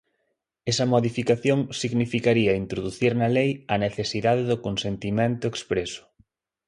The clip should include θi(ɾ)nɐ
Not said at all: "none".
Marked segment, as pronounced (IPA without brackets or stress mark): ɾ